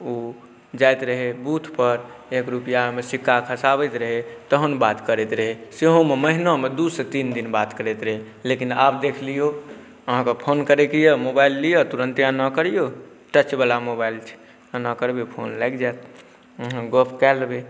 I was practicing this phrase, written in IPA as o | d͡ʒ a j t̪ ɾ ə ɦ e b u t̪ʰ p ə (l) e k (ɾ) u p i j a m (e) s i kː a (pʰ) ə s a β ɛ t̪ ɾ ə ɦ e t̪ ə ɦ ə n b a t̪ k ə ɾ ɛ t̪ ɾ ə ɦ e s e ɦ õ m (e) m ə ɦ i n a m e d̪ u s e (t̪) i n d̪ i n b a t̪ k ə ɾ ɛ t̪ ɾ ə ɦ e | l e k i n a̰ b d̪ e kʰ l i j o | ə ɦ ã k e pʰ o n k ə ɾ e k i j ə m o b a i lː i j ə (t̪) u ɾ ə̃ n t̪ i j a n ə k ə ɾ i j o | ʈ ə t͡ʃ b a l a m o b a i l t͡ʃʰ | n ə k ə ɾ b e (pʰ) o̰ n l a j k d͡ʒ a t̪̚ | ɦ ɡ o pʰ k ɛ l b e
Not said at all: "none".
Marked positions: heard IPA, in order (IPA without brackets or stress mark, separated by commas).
ɾ, ɾ, e, kʰ, e, t̪, t̪, pʰ